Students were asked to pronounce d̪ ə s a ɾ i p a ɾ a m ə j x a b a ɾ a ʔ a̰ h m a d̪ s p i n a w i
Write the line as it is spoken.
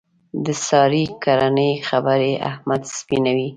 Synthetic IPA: d̪ ə s ɑ ɾ i k a ɾ a n ə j x a b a ɾ e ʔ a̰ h m a d̪ s p i n a w i